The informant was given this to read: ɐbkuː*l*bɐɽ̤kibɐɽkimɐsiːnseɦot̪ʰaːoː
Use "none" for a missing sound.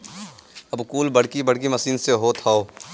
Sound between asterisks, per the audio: l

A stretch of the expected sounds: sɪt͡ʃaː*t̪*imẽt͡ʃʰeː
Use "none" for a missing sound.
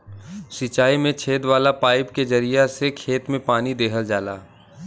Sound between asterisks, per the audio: none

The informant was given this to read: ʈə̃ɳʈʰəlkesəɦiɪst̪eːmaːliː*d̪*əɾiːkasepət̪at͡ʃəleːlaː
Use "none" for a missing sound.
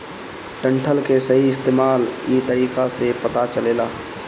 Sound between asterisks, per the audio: t̪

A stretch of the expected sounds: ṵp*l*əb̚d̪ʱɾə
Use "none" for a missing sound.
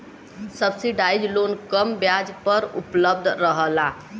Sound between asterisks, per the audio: l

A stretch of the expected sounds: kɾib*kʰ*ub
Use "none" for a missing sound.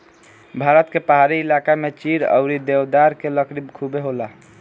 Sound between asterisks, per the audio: kʰ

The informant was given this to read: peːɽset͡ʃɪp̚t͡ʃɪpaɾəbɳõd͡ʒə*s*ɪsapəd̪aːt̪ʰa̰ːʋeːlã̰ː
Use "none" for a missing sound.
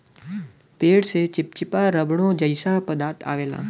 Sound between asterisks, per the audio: none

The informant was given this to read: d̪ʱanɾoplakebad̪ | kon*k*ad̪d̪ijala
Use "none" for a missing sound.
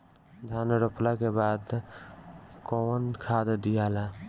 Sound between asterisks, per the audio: kʰ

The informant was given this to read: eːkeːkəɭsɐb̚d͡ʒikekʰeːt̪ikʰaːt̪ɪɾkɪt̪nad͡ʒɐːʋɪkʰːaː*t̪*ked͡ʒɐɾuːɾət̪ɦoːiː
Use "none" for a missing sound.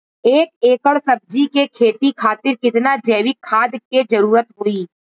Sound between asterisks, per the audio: d̪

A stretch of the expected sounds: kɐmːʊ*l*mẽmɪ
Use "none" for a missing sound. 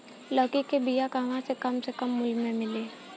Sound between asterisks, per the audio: l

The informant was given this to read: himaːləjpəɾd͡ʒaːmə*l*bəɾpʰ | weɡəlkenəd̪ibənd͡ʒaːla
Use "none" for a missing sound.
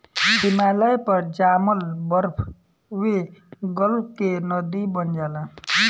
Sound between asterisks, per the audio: l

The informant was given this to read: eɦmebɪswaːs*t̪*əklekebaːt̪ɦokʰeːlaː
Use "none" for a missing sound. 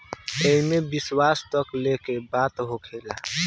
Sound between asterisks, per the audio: t̪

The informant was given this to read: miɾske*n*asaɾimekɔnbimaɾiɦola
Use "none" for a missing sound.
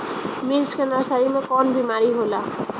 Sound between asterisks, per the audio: n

